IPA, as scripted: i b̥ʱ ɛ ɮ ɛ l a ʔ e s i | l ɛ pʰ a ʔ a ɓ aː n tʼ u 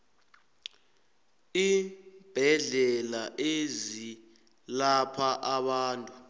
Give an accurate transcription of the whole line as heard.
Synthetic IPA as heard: i b̥ʱ ɛ ɮ ɛ l a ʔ e z i | l a pʰ a ʔ a ɓ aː n tʼ u

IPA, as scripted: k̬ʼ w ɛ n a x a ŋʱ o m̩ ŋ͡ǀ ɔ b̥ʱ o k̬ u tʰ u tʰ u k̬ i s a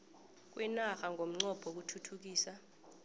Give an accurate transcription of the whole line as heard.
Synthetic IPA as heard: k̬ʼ w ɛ n a x a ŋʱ o m̩ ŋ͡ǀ ɔ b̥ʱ o k̬ u tʰ u tʰ u k̬ iː s a

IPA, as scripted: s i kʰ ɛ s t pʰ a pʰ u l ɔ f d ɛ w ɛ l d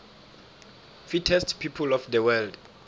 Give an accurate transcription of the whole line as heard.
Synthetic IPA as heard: f i tʰ ɛ s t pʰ i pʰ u l ɔ f d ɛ w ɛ l d

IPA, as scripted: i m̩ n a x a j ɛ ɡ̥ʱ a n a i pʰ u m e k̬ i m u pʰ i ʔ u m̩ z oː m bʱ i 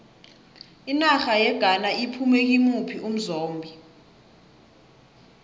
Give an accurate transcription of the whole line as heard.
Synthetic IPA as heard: i n a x a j ɛ ɡ̥ʱ a n a i pʰ u m e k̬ i m u pʰ i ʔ u m̩ z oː m bʱ i

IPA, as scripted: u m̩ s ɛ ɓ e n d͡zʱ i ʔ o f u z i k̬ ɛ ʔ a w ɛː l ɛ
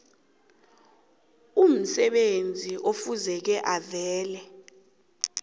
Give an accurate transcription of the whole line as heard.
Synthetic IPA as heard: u m̩ s ɛ ɓ e n d͡zʱ i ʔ o f u z ɛ k̬ ɛ ʔ a v ɛː l ɛ

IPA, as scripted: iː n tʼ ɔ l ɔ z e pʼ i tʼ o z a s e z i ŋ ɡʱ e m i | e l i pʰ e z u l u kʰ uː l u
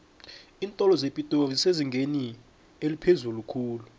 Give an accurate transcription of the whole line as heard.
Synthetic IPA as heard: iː n tʼ ɔ l ɔ z e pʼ i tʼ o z i s e z i ŋ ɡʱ e n i | e l i pʰ e z u l u kʰ uː l u

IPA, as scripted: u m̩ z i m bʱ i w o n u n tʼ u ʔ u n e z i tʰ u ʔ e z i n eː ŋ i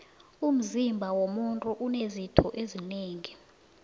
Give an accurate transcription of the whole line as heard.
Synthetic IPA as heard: u m̩ z i m bʱ a w o m u n tʼ u ʔ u n e z i tʰ ɔ ʔ e z i n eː ŋ i

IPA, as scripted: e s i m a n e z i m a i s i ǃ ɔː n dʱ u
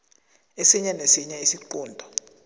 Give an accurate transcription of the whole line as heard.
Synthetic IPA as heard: e s i ɲ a n e s i ɲ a i s i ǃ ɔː n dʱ ɔ

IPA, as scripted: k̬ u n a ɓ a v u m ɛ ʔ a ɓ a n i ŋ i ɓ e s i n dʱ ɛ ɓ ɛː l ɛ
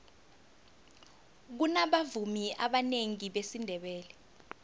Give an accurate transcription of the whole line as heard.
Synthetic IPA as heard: k̬ u n a ɓ a v u m i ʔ a ɓ a n e ŋ i ɓ e s i n dʱ ɛ ɓ ɛː l ɛ

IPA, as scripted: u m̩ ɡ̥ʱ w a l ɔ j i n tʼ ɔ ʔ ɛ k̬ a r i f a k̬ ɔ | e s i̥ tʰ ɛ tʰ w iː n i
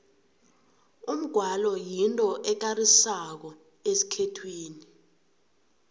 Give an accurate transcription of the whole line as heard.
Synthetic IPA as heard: u m̩ ɡ̥ʱ w a l ɔ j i n tʼ ɔ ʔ ɛ k̬ a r i s a k̬ ɔ | e s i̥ kʰ ɛ tʰ w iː n i

